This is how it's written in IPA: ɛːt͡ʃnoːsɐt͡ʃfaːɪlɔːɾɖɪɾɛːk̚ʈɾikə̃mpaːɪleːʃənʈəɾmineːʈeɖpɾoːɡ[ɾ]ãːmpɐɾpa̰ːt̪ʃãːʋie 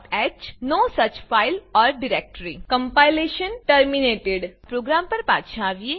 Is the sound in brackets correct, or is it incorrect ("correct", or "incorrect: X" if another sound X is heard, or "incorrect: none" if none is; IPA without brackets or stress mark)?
correct